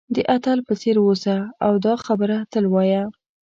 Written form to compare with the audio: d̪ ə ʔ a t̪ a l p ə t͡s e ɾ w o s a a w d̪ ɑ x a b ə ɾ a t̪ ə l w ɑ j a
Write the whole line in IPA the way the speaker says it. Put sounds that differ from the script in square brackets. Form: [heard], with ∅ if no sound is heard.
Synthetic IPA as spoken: d̪ ə ʔ a t̪ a l p ə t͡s e ɾ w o s a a w d̪ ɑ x a b ə ɾ a t̪ ə l w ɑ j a